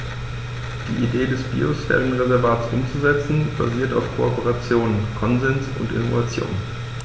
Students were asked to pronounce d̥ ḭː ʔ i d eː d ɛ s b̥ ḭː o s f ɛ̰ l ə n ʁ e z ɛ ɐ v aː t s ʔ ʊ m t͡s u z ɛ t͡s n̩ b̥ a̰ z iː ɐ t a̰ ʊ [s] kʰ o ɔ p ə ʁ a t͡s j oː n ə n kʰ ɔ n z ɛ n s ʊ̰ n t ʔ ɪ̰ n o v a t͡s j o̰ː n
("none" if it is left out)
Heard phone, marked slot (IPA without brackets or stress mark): f